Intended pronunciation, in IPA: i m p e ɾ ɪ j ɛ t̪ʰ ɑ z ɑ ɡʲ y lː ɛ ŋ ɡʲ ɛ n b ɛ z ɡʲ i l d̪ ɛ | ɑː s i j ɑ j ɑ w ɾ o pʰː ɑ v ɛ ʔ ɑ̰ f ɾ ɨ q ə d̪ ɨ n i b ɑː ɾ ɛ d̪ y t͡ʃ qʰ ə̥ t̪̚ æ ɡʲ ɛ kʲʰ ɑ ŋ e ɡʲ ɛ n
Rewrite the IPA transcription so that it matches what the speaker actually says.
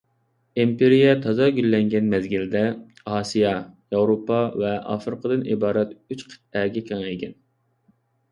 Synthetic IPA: i m p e ɾ i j ɛ t̪ʰ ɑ z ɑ ɡʲ y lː ɛ ŋ ɡʲ ɛ n m ɛ z ɡʲ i l d̪ ɛ | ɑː s i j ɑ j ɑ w ɾ o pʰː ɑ v ɛ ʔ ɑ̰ f ɾ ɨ q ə d̪ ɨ n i b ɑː ɾ ɛ t̪ y t͡ʃ qʰ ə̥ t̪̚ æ ɡʲ ɛ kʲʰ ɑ ŋ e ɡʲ ɛ n